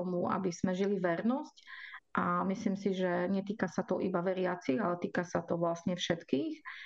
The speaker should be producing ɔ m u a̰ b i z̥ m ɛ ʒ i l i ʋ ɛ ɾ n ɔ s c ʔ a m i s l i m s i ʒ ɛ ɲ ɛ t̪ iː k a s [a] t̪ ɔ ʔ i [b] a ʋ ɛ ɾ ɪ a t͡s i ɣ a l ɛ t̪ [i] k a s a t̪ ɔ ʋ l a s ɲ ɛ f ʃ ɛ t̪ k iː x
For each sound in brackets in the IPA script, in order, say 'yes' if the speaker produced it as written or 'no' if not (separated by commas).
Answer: yes, yes, no